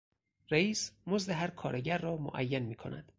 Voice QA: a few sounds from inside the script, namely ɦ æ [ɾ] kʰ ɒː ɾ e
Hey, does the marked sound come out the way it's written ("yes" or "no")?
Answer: yes